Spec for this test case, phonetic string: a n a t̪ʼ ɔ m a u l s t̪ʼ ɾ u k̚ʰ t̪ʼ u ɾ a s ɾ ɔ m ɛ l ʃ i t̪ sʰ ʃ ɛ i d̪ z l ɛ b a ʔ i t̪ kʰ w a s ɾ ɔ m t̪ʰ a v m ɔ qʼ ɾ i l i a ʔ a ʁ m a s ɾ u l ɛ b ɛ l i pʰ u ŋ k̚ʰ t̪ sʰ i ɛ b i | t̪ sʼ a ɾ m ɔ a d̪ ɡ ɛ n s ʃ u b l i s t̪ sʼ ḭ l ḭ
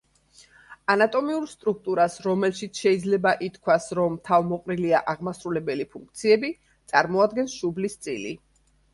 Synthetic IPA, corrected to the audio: a n a t̪ʼ ɔ m i u ɾ s t̪ʼ ɾ u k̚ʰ t̪ʼ u ɾ a s ɾ ɔ m ɛ l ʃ i t̪ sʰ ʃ ɛ i d̪ z l ɛ b a ʔ i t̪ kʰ w a s ɾ ɔ m t̪ʰ a v m ɔ qʼ ɾ i l i a ʔ a ʁ m a s ɾ u l ɛ b ɛ l i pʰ u ŋ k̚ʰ t̪ sʰ i ɛ b i | t̪ sʼ a ɾ m ɔ a d̪ ɡ ɛ n s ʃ u b l i s t̪ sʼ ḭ l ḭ